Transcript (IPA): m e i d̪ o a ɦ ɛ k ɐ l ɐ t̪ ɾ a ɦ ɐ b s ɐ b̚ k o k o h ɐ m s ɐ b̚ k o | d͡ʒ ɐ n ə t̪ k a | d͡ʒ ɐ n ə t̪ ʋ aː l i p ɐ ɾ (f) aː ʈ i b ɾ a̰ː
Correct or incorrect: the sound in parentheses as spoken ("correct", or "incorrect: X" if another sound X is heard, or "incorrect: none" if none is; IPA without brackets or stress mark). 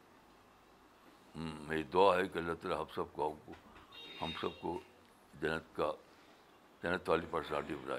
incorrect: s